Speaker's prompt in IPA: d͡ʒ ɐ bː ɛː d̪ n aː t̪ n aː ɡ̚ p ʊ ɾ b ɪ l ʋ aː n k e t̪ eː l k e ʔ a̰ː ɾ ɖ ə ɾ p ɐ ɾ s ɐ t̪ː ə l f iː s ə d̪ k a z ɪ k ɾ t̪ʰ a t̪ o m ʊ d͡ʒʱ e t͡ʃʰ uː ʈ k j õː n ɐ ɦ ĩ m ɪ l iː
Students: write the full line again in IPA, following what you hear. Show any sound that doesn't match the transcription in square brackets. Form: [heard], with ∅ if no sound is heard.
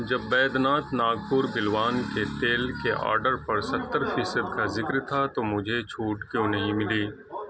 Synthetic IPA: d͡ʒ ɐ bː ɛː d̪ n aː t̪ n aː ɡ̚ p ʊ ɾ b ɪ l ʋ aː n k e t̪ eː l k e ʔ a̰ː ɾ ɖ ə ɾ p ɐ ɾ s ɐ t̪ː ə [ɾ] f iː s ə d̪ k a z ɪ k ɾ t̪ʰ a t̪ o m ʊ d͡ʒʱ e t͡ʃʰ uː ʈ k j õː n ɐ ɦ ĩ m ɪ l iː